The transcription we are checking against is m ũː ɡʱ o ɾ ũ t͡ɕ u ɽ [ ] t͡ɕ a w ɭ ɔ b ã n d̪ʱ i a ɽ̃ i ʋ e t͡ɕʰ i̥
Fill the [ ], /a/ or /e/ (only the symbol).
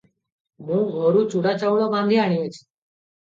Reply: a